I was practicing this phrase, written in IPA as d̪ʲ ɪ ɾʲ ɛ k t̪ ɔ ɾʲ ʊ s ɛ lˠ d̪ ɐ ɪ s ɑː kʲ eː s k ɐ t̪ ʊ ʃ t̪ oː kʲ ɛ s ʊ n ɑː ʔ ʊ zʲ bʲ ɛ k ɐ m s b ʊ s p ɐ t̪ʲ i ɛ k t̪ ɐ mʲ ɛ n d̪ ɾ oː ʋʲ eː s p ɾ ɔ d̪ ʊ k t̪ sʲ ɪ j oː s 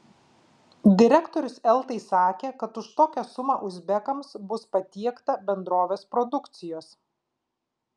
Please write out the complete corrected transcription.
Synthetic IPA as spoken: d̪ʲ ɪ ɾʲ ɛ k t̪ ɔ ɾʲ ʊ s ɛ lˠ t̪ ɐ ɪ s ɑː kʲ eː k ɐ t̪ ʊ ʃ t̪ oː kʲ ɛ s ʊ m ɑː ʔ ʊ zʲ bʲ ɛ k ɐ m s b ʊ s p ɐ t̪ʲ i ɛ k t̪ ɐ bʲ ɛ n d̪ ɾ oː ʋʲ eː s p ɾ ɔ d̪ ʊ k t̪ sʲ ɪ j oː s